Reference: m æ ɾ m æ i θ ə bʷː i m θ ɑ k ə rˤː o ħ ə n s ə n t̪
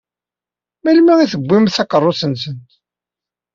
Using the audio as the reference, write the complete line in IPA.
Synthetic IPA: m æ l m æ i θ ə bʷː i m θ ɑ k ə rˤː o s ə n s ə n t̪